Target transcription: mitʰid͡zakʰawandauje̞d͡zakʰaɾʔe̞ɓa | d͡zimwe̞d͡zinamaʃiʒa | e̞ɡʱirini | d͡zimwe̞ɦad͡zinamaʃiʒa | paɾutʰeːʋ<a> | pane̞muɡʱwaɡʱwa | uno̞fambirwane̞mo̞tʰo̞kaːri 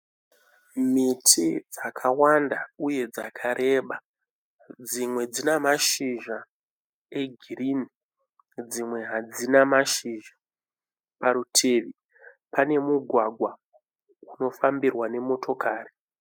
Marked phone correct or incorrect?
incorrect: i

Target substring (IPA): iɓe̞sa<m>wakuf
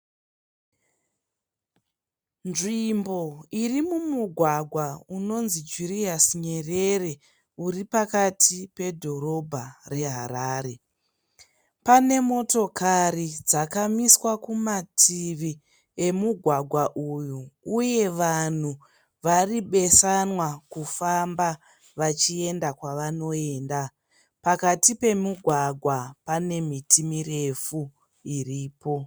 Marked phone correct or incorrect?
incorrect: n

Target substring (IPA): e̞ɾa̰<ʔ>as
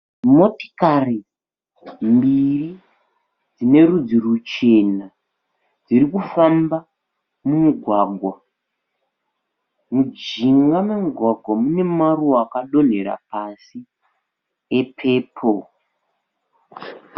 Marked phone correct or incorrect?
incorrect: p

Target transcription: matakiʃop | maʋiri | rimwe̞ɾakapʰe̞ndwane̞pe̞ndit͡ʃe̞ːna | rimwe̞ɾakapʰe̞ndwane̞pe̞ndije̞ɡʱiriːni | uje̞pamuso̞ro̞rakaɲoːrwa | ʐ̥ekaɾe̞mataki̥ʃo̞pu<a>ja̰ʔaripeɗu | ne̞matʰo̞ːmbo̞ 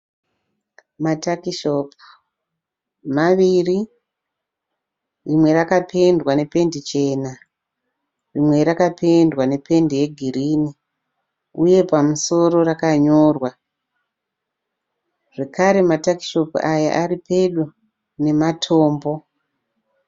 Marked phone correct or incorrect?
correct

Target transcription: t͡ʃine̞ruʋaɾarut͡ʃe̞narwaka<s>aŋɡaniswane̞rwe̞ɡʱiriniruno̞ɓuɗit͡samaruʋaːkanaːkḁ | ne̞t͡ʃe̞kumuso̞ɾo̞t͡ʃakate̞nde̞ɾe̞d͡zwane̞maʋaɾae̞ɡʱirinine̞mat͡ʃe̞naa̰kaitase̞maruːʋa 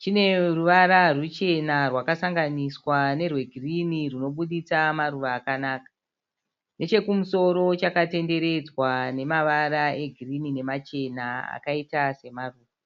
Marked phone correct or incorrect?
correct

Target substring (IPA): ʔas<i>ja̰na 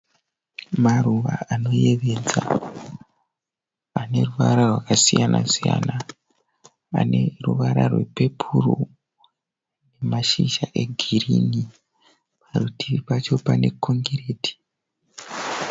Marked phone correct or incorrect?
correct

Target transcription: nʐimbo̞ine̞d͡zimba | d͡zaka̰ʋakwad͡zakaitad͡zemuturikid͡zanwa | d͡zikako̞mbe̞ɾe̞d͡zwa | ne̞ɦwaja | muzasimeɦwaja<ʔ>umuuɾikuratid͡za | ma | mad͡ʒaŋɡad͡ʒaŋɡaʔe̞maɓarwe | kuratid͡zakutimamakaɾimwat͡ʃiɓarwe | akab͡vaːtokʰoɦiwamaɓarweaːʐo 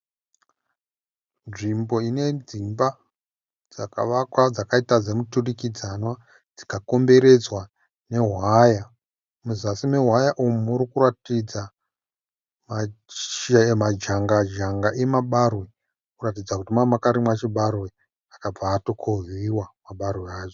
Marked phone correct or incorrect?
correct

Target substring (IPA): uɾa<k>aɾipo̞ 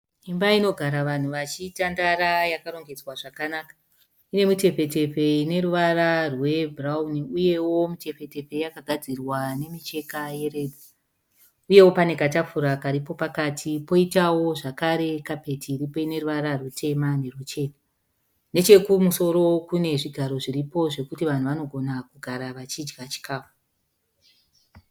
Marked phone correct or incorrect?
correct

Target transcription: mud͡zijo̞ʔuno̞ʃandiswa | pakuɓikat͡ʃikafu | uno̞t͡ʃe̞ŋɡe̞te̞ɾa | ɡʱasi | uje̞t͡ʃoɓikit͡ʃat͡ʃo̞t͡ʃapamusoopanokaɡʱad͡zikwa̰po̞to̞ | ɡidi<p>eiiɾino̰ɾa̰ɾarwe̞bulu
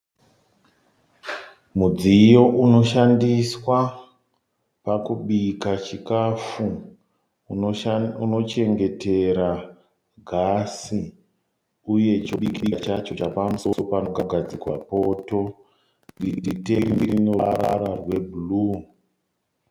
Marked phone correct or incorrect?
incorrect: t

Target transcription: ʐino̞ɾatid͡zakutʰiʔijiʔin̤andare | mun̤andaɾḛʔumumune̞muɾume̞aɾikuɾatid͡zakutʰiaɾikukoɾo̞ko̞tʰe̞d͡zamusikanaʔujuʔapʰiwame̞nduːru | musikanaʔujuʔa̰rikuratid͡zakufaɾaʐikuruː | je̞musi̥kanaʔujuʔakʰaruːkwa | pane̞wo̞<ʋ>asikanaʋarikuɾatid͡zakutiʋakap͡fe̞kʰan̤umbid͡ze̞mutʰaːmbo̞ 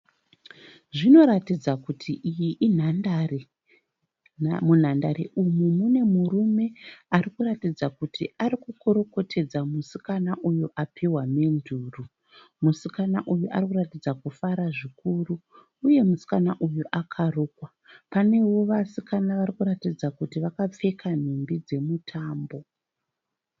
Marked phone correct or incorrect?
correct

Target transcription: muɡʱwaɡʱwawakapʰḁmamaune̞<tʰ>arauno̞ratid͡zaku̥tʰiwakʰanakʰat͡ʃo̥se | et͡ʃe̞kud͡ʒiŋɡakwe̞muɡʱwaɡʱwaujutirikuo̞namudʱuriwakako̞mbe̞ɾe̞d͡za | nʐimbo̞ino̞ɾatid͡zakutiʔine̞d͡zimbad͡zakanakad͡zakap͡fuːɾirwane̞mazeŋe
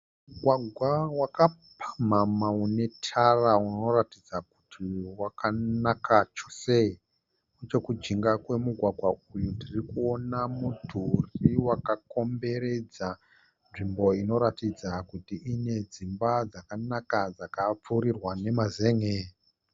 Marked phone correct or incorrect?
correct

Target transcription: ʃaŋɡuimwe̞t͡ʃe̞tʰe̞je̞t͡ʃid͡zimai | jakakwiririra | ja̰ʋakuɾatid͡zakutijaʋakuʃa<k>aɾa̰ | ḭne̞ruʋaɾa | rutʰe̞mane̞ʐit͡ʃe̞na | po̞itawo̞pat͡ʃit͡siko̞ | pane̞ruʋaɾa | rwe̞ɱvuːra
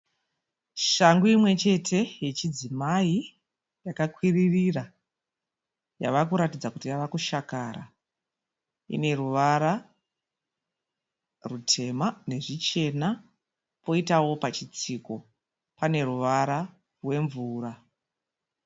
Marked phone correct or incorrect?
correct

